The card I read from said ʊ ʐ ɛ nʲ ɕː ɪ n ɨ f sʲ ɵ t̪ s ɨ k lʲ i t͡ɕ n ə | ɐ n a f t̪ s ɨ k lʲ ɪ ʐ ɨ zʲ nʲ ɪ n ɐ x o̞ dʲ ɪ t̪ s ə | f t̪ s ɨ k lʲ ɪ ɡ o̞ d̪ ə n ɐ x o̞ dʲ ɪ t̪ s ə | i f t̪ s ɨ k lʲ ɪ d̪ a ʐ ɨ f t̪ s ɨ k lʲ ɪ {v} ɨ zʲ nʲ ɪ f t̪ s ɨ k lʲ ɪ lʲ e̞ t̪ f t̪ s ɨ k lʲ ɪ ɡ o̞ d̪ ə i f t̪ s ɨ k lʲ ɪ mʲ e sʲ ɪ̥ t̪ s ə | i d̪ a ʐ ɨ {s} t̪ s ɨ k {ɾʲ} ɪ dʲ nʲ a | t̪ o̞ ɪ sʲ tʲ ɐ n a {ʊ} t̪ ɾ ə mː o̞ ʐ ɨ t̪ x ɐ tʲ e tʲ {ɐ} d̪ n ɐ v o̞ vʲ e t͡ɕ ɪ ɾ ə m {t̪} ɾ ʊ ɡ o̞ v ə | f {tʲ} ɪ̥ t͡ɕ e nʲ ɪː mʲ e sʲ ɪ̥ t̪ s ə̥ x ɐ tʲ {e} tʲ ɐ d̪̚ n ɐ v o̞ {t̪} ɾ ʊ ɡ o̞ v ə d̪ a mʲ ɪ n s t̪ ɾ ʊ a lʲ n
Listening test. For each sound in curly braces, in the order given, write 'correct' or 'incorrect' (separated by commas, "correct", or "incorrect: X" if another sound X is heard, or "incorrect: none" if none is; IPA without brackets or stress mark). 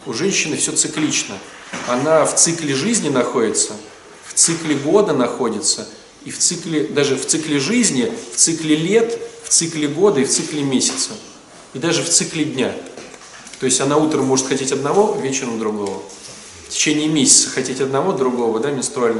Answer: incorrect: ʐ, incorrect: f, incorrect: lʲ, incorrect: u, correct, incorrect: d̪, correct, correct, incorrect: d̪